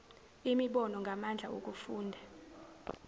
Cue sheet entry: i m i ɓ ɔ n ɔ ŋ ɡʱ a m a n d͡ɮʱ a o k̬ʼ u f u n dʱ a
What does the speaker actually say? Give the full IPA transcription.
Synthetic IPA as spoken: i m i ɓ ɔ n ɔ ŋ ɡʱ a m a n d͡ɮʱ a o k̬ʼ u f uː n dʱ a